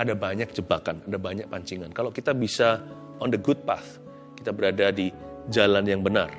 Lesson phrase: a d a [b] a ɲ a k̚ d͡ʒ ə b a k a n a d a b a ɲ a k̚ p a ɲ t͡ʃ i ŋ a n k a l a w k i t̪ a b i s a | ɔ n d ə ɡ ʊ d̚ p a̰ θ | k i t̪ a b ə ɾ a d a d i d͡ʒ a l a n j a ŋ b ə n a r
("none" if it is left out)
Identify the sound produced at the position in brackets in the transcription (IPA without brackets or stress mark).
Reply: b